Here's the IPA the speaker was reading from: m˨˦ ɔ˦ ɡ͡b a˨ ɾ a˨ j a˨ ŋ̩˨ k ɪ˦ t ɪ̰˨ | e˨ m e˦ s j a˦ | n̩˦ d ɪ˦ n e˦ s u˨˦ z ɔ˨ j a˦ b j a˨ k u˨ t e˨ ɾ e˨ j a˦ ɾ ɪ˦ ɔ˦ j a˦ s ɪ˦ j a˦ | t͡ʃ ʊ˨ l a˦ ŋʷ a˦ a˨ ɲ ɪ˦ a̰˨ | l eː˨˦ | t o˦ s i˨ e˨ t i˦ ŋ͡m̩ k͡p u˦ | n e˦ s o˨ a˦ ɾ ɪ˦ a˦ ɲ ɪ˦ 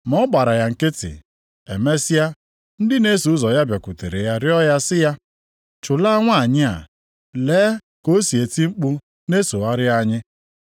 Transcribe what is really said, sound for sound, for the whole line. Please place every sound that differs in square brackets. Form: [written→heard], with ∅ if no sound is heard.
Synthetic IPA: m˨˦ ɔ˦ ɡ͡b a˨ ɾ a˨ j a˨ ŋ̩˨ k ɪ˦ t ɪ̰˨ | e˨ m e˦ s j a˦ | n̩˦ d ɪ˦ n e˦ s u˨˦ z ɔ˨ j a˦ b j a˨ k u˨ t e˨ ɾ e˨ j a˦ ɾ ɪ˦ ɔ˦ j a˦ s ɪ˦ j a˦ | t͡ʃ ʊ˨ l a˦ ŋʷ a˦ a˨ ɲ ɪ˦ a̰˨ | l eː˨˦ | [t→k] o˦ s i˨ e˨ t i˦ ŋ͡m̩ k͡p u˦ | n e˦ s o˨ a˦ ɾ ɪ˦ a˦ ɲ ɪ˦